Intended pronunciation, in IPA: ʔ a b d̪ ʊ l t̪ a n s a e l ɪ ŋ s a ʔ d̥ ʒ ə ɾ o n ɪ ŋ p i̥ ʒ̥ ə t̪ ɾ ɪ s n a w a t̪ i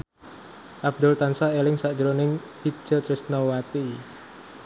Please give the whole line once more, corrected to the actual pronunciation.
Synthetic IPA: ʔ a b d̪ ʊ l t̪ a n s a e l ɪ ŋ s a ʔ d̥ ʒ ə ɾ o n ɪ ŋ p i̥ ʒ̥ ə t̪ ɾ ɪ s n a w a t̪ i

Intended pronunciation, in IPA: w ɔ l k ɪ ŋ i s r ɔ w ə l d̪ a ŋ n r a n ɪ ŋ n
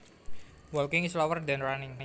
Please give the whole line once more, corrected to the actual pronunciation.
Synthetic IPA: w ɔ l k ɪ ŋ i s l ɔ w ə r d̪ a n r a n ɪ ŋ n

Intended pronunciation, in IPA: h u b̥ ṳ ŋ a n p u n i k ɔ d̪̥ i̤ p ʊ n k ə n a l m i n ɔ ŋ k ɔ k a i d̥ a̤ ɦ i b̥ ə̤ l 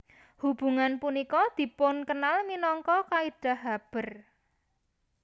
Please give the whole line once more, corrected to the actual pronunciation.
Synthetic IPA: h u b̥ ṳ ŋ a n p u n i k ɔ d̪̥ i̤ p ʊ n k ə n a l m i n ɔ ŋ k ɔ k a i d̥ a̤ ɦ a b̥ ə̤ r

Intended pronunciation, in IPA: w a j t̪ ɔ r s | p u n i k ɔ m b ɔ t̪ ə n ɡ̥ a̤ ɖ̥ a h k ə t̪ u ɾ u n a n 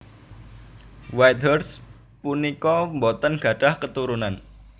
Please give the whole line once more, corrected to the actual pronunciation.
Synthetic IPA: w a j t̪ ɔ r s | p u n i k ɔ m b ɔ t̪ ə n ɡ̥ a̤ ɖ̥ a h k ə t̪ u ɾ u n a n

